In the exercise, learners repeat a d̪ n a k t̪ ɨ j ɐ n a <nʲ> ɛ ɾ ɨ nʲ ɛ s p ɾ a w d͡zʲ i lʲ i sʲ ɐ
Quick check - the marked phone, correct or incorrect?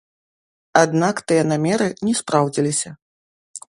incorrect: mʲ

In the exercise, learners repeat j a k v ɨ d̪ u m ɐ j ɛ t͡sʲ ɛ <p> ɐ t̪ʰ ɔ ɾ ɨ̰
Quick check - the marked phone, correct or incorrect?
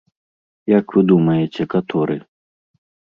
incorrect: k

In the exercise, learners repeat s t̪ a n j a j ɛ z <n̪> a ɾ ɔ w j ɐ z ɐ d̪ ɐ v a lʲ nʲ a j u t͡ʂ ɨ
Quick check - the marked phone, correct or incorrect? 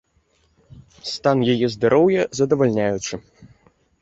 incorrect: d̪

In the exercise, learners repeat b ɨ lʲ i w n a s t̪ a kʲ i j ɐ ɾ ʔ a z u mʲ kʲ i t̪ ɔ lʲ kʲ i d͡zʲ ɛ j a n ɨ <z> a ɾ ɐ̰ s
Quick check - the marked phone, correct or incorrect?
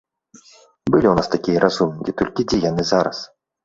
correct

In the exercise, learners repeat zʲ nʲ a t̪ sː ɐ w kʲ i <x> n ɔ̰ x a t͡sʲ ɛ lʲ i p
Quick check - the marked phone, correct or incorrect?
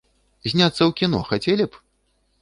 incorrect: none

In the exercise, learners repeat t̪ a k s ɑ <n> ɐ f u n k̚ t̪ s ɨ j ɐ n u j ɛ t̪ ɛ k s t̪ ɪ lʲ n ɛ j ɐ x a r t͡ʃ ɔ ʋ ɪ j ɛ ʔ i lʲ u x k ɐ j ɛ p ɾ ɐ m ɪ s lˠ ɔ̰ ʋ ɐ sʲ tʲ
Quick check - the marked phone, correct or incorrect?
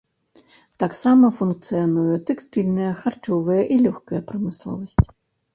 incorrect: m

